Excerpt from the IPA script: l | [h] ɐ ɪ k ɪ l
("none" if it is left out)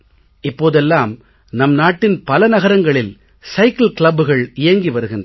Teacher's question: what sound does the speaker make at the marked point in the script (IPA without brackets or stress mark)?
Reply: s